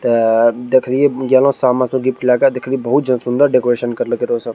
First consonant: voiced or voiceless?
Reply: voiceless